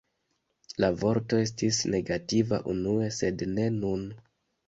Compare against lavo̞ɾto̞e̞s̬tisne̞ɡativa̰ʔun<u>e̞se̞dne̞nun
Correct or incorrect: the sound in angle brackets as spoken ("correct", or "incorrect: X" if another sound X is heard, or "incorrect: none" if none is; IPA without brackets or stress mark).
correct